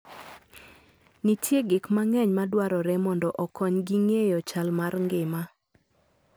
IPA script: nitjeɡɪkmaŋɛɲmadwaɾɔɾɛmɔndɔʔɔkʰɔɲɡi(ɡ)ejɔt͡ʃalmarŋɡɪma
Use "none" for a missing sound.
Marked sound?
ŋ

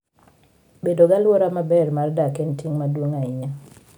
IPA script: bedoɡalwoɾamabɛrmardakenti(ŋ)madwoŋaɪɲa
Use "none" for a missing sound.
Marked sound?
ŋ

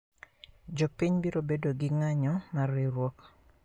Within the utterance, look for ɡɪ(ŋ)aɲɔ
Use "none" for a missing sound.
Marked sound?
ŋ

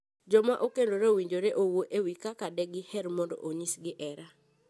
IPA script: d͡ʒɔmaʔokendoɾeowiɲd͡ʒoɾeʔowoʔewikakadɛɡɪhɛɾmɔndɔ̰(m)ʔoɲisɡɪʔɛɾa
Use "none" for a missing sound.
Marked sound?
none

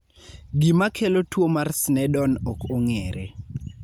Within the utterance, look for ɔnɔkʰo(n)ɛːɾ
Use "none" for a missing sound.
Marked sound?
ŋ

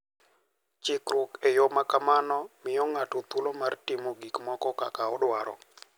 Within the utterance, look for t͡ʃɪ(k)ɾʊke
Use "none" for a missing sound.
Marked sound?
k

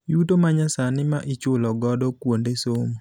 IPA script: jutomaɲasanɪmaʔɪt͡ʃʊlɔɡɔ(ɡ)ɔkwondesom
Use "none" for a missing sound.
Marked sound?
d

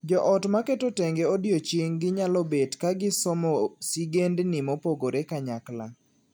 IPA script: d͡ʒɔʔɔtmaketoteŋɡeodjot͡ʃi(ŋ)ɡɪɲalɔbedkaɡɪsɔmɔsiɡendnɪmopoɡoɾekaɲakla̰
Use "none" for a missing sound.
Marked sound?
ŋ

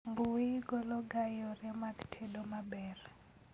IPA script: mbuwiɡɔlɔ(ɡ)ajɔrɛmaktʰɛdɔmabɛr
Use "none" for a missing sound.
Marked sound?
ɡ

